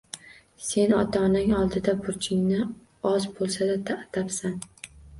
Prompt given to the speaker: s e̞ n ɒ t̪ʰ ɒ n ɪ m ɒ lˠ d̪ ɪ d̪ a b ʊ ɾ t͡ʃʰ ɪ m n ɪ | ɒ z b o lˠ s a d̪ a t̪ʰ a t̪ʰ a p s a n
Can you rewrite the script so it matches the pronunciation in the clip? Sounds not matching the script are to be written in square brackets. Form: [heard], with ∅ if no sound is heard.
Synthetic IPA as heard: s e̞ n ɒ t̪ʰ ɒ n ɪ [ŋ] ɒ lˠ d̪ ɪ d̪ a b ʊ ɾ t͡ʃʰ ɪ [ŋ] n ɪ | ɒ z b o lˠ s a d̪ a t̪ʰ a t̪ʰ a p s a n